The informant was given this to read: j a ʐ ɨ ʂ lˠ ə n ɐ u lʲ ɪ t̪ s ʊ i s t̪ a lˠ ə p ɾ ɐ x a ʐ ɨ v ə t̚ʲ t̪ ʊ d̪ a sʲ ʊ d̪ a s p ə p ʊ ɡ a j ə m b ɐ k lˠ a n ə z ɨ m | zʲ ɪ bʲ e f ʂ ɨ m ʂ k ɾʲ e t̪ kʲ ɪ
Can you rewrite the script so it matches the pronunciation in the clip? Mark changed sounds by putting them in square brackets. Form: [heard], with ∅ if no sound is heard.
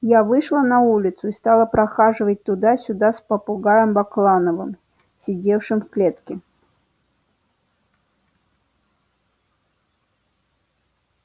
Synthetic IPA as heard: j a [v] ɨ ʂ lˠ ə n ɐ u lʲ ɪ t̪ s ʊ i s t̪ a lˠ ə p ɾ ɐ x a ʐ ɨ v ə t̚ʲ t̪ ʊ d̪ a sʲ ʊ d̪ a s p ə p ʊ ɡ a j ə m b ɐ k lˠ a n ə [v] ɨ m | [sʲ] ɪ [dʲ] e f ʂ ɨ m [f] k [lʲ] e t̪ kʲ ɪ

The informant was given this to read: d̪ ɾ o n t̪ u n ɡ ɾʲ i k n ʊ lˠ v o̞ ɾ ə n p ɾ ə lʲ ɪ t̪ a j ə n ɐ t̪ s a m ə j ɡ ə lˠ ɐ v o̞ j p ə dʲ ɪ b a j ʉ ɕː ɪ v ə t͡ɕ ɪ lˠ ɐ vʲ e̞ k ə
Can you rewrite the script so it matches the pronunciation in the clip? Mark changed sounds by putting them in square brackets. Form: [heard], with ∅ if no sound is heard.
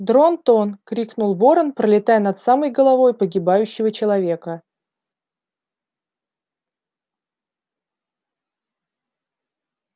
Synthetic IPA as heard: d̪ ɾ o n t̪ [o] n [k] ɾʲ i k n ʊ lˠ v o̞ ɾ ə n p ɾ ə lʲ ɪ t̪ a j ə n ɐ t̪ s a m ə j ɡ ə lˠ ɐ v o̞ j p ə [ɡʲ] ɪ b a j ʉ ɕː ɪ v ə t͡ɕ ɪ lˠ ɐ vʲ e̞ k ə

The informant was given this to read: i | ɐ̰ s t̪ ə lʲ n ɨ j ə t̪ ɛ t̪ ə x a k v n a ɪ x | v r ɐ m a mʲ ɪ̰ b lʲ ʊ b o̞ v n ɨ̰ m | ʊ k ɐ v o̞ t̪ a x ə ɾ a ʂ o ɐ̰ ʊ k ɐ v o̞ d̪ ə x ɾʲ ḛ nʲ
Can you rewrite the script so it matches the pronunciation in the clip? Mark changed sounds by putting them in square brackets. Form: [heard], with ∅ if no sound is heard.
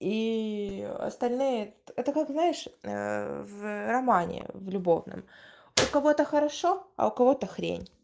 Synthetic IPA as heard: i | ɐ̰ s t̪ [ɐ] lʲ n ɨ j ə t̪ ɛ t̪ ə [k] a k [z] n a ɪ [ʂ] | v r ɐ m a [nʲ] ɪ̰ [v] lʲ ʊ b o̞ v n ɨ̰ m | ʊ k ɐ v o̞ t̪ [ə] x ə ɾ [ɐ] ʂ o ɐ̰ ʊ k ɐ v o̞ [t̪] ə x ɾʲ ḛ nʲ

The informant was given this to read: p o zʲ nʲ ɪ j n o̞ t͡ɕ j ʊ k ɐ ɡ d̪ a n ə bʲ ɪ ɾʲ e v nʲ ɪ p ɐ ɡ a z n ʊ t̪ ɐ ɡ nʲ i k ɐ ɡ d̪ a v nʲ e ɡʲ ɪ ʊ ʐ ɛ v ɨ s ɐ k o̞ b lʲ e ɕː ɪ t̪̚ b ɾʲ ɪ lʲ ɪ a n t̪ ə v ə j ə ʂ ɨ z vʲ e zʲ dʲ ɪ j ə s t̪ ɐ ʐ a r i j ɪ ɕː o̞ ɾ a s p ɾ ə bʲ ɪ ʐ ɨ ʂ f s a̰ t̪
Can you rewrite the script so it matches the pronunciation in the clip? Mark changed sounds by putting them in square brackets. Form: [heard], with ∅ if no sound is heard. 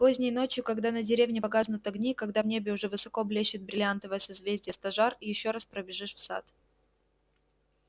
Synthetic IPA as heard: p o zʲ nʲ ɪ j n o̞ t͡ɕ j ʊ k ɐ ɡ d̪ a n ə [dʲ] ɪ ɾʲ e v nʲ ɪ p ɐ ɡ a z n ʊ t̪ ɐ ɡ nʲ i k ɐ ɡ d̪ a v nʲ e [bʲ] ɪ ʊ ʐ ɛ v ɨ s ɐ k o̞ b lʲ e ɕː ɪ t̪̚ b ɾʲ ɪ lʲ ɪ a n t̪ ə v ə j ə [s] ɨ z vʲ e zʲ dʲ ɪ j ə s t̪ ɐ ʐ a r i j ɪ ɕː o̞ ɾ a s p ɾ ə bʲ ɪ ʐ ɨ ʂ f s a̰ t̪

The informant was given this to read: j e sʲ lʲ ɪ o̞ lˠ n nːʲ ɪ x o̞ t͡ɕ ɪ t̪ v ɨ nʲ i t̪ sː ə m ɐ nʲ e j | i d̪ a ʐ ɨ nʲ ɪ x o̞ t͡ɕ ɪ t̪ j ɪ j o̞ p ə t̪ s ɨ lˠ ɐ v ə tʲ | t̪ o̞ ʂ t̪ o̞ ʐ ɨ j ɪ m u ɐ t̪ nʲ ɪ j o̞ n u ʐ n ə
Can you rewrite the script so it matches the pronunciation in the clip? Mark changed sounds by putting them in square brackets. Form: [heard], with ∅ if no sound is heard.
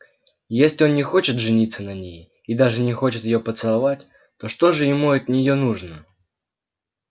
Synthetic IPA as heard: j e sʲ lʲ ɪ o̞ [∅] n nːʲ ɪ x o̞ t͡ɕ ɪ t̪ [ʐ] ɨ nʲ i t̪ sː ə [n] ɐ nʲ e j | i d̪ a ʐ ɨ nʲ ɪ x o̞ t͡ɕ ɪ t̪ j ɪ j o̞ p ə t̪ s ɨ lˠ ɐ v [a] tʲ | t̪ o̞ ʂ t̪ o̞ ʐ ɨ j ɪ m u ɐ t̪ nʲ ɪ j o̞ n u ʐ n ə

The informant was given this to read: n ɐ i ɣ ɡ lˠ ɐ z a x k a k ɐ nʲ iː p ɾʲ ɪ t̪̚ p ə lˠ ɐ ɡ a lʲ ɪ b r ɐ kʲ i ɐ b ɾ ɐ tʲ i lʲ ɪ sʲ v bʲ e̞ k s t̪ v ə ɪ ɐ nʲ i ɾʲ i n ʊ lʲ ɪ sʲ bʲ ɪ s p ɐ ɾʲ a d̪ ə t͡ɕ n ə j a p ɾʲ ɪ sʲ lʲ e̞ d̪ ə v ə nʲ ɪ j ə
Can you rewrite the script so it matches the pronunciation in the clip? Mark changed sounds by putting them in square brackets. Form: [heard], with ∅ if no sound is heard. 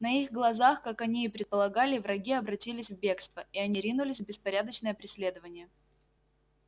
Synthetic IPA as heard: n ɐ i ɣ ɡ lˠ ɐ z a x k a k ɐ nʲ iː p ɾʲ ɪ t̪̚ p ə lˠ ɐ ɡ a lʲ ɪ [v] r ɐ [ɡʲ] i ɐ b ɾ ɐ tʲ i lʲ ɪ sʲ v bʲ e̞ k s t̪ v ə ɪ ɐ nʲ i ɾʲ i n ʊ lʲ ɪ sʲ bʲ ɪ s p ɐ ɾʲ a d̪ ə t͡ɕ n ə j [ə] p ɾʲ ɪ sʲ lʲ e̞ d̪ ə v ə nʲ ɪ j ə

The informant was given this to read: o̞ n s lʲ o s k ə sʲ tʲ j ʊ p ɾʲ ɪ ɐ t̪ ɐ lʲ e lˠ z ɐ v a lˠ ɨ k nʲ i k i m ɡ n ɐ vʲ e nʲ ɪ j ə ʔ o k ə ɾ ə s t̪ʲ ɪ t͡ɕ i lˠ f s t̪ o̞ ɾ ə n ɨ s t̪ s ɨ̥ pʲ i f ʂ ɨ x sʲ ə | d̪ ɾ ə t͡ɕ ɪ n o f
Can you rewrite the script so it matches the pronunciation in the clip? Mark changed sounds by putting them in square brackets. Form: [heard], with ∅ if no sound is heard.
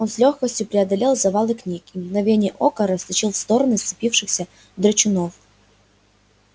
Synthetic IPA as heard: o̞ n s lʲ o [x] k ə sʲ tʲ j ʊ p ɾʲ ɪ ɐ [d̪] ɐ lʲ e lˠ z ɐ v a lˠ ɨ k nʲ i k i m ɡ n ɐ vʲ e nʲ ɪ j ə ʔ o k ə ɾ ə s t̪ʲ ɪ t͡ɕ i lˠ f s t̪ o̞ ɾ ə n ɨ s t̪ s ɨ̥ pʲ i f ʂ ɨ x sʲ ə | d̪ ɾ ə t͡ɕ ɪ n o f

